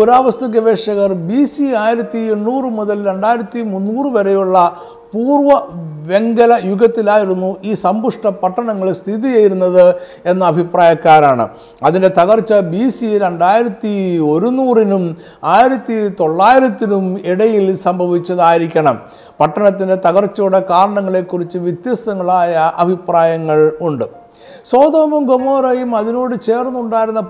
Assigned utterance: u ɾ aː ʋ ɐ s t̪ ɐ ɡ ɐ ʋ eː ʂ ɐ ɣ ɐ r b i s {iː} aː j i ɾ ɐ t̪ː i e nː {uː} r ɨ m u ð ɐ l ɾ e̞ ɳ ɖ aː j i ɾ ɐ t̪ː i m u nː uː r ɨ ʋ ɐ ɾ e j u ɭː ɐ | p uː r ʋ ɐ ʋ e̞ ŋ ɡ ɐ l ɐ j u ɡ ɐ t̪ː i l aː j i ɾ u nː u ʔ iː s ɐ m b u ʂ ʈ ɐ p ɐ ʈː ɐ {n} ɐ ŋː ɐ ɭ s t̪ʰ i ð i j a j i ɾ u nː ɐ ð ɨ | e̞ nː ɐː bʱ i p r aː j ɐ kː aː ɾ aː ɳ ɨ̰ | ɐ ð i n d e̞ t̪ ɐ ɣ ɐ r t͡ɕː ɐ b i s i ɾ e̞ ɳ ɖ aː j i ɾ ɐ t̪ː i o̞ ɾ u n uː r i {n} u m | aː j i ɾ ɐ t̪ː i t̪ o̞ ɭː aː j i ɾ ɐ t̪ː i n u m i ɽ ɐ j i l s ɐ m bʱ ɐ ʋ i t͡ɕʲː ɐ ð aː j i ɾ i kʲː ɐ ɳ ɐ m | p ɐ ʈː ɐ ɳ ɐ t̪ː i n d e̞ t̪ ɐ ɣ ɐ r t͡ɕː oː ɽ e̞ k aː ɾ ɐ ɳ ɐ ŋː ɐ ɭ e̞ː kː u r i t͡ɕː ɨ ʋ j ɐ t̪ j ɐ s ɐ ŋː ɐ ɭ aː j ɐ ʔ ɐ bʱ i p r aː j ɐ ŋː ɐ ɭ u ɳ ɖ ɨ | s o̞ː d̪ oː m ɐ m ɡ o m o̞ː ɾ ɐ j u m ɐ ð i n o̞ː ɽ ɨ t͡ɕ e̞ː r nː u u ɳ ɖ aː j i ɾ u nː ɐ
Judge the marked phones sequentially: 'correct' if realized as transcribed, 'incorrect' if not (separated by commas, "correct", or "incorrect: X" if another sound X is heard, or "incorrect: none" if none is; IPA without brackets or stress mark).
incorrect: i, correct, incorrect: ɳ, correct